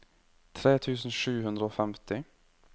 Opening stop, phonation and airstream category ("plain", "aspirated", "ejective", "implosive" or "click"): aspirated